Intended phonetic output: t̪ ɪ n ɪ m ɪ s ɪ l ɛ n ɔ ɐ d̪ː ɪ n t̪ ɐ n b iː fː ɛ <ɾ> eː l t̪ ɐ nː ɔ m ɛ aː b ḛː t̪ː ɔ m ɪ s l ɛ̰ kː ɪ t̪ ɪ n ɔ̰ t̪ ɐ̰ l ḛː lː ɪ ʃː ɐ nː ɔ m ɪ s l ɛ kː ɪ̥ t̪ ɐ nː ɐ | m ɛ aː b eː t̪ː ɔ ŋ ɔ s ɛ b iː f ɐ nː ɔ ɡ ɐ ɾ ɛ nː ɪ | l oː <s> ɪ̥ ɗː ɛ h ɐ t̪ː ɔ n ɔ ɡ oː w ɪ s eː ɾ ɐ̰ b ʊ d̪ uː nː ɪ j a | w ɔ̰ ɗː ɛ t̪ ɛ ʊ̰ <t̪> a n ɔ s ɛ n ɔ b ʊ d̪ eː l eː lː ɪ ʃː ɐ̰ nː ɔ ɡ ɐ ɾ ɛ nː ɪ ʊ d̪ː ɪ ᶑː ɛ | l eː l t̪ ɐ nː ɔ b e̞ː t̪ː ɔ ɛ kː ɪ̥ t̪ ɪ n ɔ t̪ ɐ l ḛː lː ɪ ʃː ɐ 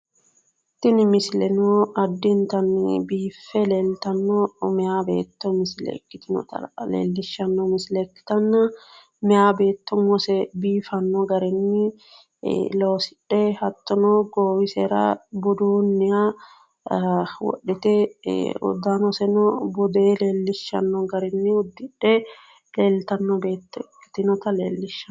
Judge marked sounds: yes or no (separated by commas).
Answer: no, yes, no